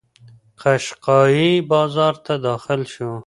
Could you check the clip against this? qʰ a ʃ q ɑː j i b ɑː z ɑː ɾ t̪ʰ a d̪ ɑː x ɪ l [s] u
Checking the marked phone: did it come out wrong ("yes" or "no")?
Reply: yes